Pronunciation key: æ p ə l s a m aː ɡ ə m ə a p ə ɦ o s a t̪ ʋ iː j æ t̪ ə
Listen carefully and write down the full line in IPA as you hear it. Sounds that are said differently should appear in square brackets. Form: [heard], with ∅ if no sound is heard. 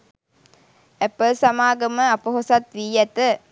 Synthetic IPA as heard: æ p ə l s a m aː ɡ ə m ə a p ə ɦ o s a t̪ ʋ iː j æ t̪ ə